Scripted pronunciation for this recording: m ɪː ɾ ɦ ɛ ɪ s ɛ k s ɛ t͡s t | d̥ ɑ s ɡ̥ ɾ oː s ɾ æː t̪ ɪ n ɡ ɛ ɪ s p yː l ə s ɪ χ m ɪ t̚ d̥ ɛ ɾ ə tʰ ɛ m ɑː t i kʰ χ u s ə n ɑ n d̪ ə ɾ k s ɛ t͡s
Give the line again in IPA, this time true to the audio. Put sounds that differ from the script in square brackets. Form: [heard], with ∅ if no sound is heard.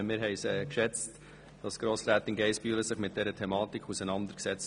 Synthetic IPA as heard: m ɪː ɾ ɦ ɛ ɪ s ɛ k [ʃ] ɛ t͡s t | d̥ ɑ s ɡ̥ ɾ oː s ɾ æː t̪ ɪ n ɡ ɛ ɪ s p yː l ə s ɪ χ m ɪ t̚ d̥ ɛ ɾ ə tʰ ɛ m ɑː t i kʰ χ u s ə n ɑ n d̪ ə ɾ k s ɛ t͡s